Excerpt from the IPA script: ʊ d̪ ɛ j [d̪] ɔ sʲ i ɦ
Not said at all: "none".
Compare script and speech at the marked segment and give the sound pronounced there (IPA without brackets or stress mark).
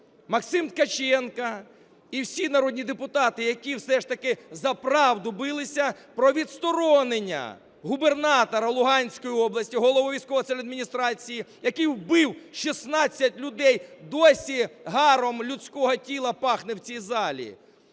d̪